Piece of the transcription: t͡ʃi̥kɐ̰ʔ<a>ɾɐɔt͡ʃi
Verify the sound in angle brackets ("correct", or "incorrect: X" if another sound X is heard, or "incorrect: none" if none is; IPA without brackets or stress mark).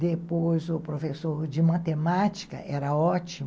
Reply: incorrect: ɛ